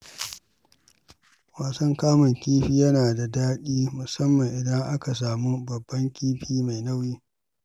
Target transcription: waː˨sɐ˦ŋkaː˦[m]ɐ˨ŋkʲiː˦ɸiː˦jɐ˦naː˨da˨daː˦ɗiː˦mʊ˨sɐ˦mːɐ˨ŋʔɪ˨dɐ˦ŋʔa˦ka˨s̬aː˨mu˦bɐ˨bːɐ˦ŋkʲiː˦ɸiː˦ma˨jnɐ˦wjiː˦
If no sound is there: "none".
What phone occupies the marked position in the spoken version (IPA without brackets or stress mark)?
m